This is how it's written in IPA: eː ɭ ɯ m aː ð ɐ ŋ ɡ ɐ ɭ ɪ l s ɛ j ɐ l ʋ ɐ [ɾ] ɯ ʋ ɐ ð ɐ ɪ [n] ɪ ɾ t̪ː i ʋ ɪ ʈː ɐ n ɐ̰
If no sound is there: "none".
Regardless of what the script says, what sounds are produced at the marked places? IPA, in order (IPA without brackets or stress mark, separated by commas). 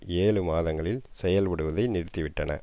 ɽ, n